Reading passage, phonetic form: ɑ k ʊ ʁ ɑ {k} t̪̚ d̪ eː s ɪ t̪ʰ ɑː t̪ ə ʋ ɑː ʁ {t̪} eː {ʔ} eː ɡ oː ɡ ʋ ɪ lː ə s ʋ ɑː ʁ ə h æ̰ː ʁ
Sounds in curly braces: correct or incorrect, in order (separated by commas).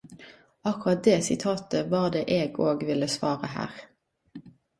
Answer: incorrect, incorrect, correct